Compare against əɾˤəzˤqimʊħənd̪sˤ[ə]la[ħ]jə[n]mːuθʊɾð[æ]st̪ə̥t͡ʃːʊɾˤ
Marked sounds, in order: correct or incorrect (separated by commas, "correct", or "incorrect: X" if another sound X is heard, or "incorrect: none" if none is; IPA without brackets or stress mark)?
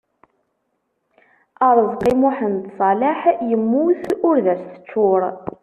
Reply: incorrect: ɑ, correct, incorrect: none, correct